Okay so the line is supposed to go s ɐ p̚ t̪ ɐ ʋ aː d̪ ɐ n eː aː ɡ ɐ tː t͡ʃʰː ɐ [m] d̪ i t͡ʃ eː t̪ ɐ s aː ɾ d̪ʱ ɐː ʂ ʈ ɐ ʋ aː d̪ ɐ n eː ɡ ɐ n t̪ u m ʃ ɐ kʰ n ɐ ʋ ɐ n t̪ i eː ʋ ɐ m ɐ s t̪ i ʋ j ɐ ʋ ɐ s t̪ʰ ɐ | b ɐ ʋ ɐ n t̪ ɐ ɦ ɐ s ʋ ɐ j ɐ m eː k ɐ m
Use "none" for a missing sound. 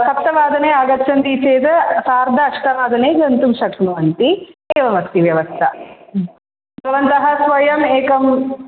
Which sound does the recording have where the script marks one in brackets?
n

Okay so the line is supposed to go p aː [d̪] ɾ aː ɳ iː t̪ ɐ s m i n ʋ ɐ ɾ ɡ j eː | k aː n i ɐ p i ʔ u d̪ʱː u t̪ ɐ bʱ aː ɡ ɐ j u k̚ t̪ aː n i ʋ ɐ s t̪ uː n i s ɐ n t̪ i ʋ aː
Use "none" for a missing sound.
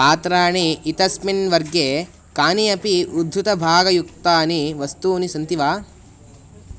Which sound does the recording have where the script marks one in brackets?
t̪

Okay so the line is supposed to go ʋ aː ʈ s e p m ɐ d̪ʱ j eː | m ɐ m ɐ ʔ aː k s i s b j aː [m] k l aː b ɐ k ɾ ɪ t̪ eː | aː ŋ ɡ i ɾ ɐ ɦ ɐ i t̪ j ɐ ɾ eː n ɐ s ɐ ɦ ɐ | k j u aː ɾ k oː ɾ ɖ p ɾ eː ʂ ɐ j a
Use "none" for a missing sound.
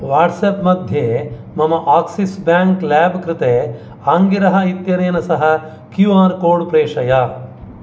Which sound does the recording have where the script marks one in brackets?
ŋ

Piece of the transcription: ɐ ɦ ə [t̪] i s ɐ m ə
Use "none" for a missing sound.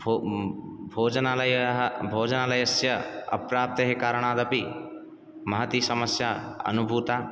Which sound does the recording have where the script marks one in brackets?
t̪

